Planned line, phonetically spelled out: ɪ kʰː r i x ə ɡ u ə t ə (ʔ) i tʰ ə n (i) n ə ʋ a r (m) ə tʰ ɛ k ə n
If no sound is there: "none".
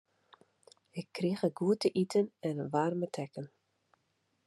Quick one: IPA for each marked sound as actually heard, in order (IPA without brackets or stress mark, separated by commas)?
ʔ, ɛ, m